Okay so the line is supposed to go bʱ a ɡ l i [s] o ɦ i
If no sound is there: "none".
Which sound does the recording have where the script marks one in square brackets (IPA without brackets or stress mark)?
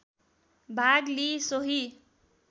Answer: s